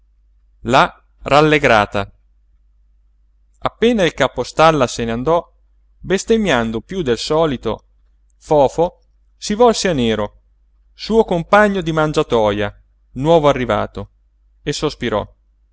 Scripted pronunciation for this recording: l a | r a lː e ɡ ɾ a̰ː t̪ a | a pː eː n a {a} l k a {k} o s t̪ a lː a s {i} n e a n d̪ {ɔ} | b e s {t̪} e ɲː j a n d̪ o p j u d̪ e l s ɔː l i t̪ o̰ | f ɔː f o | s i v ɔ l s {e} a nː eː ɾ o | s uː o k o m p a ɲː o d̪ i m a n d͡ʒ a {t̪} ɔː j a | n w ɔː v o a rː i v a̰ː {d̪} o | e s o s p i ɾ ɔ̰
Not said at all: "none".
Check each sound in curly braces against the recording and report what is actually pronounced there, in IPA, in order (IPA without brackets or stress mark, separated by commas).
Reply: i, p, e, ɔ, t̪, e, t̪, t̪